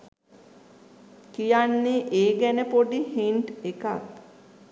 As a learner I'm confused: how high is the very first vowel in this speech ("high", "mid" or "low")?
high